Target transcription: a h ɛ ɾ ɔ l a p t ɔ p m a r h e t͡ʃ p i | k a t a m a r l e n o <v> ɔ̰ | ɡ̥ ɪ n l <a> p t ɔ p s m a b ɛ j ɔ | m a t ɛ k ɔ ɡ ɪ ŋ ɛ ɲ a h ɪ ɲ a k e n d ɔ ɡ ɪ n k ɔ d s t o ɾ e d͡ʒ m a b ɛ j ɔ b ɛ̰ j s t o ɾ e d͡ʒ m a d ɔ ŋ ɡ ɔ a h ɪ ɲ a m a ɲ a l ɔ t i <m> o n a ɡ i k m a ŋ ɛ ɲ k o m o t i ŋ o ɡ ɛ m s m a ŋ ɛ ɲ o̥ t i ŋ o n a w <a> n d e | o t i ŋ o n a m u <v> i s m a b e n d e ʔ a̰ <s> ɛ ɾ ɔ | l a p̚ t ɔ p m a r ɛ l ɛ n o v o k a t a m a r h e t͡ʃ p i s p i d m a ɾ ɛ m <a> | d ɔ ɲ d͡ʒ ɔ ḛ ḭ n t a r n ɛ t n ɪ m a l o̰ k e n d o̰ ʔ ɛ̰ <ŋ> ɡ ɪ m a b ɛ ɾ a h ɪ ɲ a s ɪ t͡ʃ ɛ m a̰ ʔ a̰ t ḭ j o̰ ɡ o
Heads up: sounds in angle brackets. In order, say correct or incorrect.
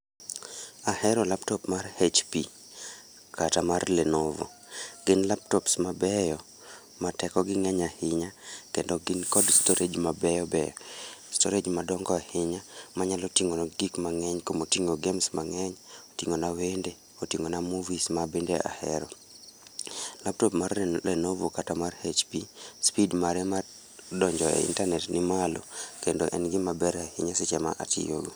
correct, correct, incorrect: ŋ, incorrect: e, correct, incorrect: h, correct, incorrect: n

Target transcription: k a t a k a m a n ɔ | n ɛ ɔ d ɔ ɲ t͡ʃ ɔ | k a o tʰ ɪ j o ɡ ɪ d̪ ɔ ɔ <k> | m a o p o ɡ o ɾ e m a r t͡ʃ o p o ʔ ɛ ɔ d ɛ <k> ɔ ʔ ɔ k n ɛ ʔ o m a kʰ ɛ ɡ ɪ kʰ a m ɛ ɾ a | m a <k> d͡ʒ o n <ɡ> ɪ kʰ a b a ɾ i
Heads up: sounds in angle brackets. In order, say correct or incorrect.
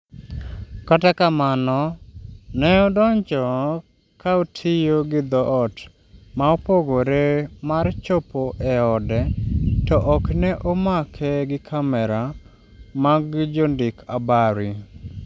incorrect: t, incorrect: t, incorrect: ɡ, incorrect: d

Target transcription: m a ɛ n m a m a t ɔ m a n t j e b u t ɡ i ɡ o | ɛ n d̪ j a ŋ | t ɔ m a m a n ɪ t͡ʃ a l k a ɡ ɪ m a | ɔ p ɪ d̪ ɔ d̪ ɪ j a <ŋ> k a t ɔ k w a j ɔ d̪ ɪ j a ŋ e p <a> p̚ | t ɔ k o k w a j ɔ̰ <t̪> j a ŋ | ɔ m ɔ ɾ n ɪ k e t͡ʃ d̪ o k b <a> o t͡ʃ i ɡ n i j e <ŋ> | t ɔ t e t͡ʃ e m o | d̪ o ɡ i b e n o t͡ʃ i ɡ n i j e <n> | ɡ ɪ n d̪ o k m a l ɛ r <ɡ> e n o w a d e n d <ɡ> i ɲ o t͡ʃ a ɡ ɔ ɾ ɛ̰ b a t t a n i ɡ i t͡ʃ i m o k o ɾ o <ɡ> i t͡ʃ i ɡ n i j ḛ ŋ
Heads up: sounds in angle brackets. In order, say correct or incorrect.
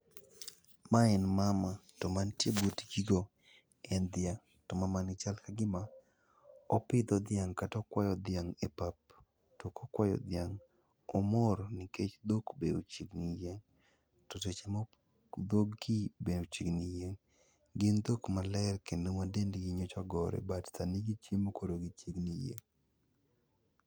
correct, correct, incorrect: d̪, incorrect: e, correct, incorrect: ŋ, incorrect: k, correct, correct

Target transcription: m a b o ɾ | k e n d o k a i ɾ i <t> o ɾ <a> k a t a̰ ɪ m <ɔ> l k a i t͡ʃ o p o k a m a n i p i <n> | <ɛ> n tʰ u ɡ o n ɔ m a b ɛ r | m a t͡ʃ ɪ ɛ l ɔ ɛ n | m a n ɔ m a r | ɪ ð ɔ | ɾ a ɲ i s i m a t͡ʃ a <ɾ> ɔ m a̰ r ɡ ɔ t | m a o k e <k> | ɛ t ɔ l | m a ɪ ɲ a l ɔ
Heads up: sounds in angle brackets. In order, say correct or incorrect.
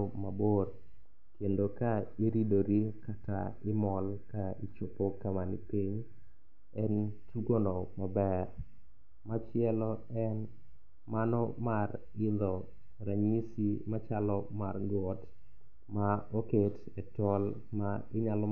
incorrect: d, incorrect: i, correct, incorrect: ɲ, correct, incorrect: l, incorrect: t

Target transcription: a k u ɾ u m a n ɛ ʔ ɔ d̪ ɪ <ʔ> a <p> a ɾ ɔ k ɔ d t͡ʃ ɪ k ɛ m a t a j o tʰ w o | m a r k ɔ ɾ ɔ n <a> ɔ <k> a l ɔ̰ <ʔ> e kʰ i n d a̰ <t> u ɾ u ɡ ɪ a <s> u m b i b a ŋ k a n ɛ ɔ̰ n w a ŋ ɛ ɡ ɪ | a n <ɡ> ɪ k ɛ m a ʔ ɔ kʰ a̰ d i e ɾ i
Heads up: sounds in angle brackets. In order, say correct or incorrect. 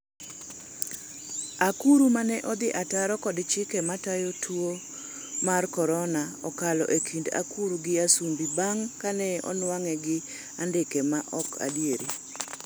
correct, incorrect: t, correct, correct, correct, incorrect: k, correct, incorrect: d

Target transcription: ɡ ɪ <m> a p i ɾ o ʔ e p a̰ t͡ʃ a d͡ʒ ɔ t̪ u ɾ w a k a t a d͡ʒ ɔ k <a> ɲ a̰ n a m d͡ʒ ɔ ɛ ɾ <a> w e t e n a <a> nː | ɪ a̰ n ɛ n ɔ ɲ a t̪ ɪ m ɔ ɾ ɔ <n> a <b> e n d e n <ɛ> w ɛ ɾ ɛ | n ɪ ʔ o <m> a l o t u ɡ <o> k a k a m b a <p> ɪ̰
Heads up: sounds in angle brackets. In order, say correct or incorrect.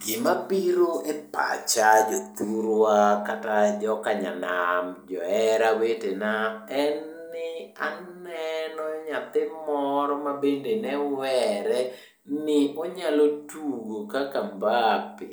correct, correct, correct, incorrect: ɛ, incorrect: m, correct, correct, incorrect: ɲ, correct, correct

